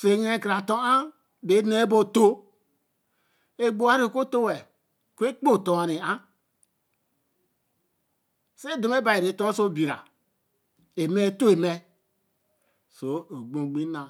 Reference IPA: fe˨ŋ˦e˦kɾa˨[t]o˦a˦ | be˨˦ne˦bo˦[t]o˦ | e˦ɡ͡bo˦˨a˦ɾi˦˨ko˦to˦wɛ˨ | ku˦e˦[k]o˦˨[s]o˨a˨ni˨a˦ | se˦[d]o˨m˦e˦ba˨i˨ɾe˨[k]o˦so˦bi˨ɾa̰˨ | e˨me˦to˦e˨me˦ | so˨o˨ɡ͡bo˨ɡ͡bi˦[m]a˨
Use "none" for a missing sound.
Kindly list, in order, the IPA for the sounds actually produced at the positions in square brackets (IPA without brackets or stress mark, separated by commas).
t, t, k͡p, t, d, t, n